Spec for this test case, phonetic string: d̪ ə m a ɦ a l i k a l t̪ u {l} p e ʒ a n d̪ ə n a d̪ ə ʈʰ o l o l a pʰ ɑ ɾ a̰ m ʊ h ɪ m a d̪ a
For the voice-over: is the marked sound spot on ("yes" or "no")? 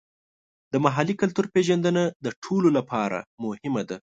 no